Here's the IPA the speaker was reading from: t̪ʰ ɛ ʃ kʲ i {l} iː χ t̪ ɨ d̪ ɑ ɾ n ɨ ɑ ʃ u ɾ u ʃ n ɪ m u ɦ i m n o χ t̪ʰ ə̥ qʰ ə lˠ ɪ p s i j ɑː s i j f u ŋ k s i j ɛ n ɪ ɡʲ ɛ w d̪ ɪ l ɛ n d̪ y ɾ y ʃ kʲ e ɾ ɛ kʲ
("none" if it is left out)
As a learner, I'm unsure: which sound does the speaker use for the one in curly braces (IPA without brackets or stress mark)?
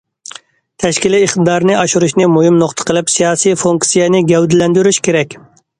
l